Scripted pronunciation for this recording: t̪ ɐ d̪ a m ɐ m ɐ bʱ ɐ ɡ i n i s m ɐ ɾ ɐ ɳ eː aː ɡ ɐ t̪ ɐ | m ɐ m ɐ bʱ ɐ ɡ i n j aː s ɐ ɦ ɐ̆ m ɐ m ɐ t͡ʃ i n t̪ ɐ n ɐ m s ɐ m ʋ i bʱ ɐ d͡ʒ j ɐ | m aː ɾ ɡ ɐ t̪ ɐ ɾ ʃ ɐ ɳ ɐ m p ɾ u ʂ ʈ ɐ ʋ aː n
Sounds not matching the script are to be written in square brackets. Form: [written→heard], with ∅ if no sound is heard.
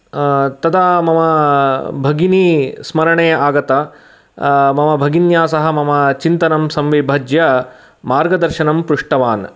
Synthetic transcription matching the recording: t̪ ɐ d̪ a m ɐ m ɐ bʱ ɐ ɡ i n i s m ɐ ɾ ɐ ɳ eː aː ɡ ɐ t̪ ɐ | m ɐ m ɐ bʱ ɐ ɡ i n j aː s ɐ ɦ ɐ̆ m ɐ m ɐ t͡ʃ i n t̪ ɐ n ɐ m s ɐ m ʋ i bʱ ɐ d͡ʒ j ɐ | m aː ɾ ɡ ɐ [t̪→d̪] ɐ ɾ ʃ ɐ [ɳ→n] ɐ m p ɾ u ʂ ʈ ɐ ʋ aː n